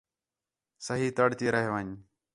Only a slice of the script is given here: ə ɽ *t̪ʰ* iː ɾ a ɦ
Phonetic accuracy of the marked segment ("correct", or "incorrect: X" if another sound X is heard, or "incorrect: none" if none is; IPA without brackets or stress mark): incorrect: t̪